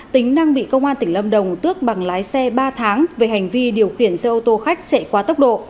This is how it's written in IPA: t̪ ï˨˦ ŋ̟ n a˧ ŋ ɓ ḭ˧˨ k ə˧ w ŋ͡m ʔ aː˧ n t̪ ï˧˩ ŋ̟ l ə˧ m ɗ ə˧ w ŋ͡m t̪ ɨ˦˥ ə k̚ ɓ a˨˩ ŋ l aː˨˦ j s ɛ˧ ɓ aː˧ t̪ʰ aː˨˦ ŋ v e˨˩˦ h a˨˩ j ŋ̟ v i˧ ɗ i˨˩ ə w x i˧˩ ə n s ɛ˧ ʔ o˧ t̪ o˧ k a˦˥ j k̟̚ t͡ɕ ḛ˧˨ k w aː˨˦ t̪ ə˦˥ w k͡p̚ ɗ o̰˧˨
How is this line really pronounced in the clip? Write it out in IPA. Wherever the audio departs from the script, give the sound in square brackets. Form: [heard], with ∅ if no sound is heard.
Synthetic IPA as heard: t̪ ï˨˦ ŋ̟ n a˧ ŋ ɓ ḭ˧˨ k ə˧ w ŋ͡m ʔ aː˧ n t̪ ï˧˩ ŋ̟ l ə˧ m ɗ [ə˨˩] w ŋ͡m t̪ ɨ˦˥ ə k̚ ɓ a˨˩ ŋ l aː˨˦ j s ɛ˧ ɓ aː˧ t̪ʰ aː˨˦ ŋ v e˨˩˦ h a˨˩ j ŋ̟ v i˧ ɗ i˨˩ ə w x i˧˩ ə n s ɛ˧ ʔ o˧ t̪ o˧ [x] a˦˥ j k̟̚ t͡ɕ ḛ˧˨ k w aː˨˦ t̪ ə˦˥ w k͡p̚ ɗ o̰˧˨